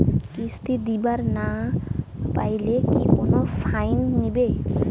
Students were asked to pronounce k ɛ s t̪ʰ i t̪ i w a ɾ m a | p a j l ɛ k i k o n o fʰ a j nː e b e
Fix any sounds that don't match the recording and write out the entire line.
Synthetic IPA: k i s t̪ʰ i d̪ i b a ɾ n a | p a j l e k i k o n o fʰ a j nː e b e